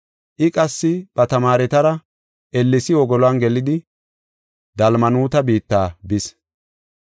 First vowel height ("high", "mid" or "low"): high